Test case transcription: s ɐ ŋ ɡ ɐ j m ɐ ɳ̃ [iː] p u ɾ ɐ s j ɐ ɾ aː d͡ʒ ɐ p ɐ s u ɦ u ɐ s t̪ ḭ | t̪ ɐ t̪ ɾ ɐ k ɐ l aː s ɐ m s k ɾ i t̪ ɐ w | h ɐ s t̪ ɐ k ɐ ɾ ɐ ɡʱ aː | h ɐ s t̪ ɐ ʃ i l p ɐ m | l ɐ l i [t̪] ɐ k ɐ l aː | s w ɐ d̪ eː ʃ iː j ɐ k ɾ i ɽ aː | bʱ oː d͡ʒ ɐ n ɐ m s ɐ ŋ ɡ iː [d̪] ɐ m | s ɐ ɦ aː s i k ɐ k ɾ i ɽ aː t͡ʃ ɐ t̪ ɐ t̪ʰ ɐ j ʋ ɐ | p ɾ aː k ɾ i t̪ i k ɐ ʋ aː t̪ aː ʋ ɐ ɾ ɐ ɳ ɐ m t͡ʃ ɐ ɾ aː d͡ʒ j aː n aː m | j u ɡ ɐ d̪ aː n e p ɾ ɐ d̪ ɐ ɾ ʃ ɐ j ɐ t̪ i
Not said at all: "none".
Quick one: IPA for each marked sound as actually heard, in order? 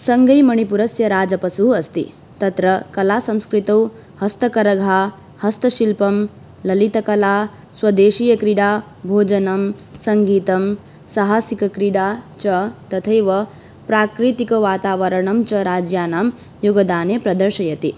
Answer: i, t̪, t̪

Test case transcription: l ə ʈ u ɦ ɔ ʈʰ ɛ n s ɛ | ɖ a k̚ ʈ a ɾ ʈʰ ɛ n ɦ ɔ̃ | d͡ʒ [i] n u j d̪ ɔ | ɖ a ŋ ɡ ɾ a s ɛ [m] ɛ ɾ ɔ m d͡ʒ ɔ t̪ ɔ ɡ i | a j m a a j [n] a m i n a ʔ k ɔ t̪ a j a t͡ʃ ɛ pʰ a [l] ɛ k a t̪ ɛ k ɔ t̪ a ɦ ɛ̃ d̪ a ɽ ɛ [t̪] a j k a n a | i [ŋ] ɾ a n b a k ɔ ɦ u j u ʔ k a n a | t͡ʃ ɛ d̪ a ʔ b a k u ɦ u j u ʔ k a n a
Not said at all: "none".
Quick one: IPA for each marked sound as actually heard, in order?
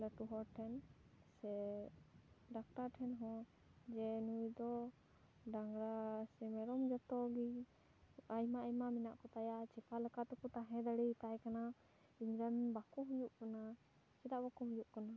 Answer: ɛ, m, m, l, t̪, ɲ

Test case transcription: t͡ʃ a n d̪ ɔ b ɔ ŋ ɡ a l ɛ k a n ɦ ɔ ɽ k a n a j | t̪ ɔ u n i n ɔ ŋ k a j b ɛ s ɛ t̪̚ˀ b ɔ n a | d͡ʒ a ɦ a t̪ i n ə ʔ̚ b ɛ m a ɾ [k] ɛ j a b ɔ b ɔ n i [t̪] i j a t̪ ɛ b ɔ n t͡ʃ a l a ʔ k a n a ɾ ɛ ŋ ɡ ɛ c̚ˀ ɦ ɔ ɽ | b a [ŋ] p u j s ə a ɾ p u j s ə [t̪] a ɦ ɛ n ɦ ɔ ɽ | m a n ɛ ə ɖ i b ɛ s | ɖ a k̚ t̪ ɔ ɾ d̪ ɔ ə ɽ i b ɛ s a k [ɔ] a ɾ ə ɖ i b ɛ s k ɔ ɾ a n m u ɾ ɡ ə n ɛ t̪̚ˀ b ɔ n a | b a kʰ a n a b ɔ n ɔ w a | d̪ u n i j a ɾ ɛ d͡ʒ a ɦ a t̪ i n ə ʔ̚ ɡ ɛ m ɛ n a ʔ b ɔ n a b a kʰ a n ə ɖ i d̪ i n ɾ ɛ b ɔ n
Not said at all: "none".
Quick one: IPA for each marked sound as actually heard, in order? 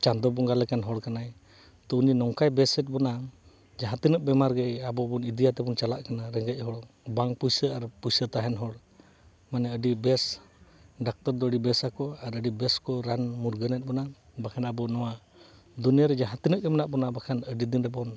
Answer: ɡ, d̪, ŋ, t̪, ɔ

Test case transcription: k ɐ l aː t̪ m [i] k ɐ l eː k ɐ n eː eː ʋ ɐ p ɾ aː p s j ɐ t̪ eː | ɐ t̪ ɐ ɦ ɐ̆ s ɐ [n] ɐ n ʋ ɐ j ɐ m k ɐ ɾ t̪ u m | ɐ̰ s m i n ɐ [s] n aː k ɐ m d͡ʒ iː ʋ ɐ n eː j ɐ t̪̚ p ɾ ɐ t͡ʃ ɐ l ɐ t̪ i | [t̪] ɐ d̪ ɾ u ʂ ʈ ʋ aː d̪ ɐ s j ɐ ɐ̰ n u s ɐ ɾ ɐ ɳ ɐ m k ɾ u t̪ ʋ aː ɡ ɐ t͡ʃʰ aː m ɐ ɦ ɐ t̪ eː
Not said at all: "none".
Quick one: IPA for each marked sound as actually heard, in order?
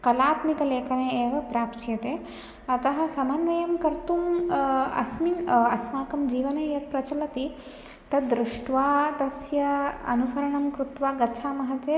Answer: i, m, s, t̪

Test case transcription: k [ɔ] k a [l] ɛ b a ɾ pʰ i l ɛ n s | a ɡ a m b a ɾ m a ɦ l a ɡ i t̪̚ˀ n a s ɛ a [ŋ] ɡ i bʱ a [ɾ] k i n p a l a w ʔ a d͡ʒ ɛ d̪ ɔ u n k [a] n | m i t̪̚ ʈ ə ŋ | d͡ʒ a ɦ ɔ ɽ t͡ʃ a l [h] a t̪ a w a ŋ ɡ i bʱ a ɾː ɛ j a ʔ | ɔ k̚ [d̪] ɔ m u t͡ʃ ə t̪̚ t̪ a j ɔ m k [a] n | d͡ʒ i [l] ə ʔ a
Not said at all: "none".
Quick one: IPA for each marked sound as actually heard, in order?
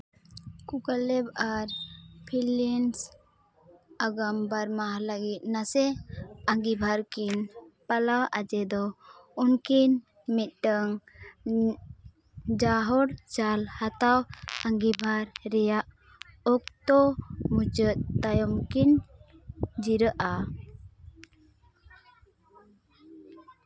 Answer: u, l, ŋ, ɾ, i, h, t̪, i, ɾ

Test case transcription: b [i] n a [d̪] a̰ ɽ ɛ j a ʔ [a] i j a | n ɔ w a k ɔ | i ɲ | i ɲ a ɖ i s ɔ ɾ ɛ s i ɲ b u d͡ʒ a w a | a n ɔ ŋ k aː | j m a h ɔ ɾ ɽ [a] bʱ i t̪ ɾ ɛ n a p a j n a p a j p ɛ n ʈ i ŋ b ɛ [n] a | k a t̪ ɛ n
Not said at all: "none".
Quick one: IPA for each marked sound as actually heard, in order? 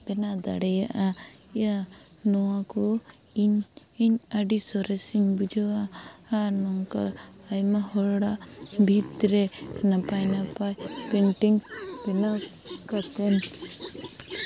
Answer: ɛ, d̪, a, a, n

